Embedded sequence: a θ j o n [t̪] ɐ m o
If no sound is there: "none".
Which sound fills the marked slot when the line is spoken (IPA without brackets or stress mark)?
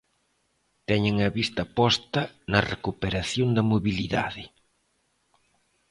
d̪